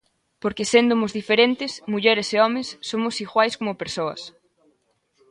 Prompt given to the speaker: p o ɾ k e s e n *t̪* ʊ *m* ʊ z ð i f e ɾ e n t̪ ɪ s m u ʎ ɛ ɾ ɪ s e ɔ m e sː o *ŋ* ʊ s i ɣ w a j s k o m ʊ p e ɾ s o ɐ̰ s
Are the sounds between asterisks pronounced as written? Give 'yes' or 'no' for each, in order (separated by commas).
no, yes, no